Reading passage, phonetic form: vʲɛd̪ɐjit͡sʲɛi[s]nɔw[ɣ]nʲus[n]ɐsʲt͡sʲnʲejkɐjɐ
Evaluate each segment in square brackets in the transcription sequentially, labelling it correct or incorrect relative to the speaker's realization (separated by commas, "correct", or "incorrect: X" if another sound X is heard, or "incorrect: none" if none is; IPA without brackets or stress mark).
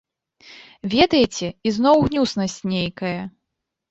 incorrect: z, correct, correct